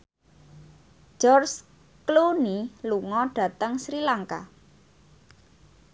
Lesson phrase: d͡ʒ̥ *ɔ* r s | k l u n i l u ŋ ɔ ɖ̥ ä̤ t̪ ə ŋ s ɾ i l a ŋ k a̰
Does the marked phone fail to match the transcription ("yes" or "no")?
no